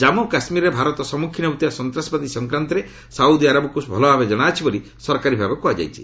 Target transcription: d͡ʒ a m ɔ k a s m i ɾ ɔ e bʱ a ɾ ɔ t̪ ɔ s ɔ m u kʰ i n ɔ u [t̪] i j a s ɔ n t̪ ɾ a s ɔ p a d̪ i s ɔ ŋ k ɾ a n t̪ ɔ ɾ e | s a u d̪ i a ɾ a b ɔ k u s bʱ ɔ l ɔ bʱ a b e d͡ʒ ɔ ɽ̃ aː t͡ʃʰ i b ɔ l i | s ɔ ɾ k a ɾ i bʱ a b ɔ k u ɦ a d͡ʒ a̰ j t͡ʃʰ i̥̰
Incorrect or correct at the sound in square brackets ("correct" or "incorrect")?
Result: correct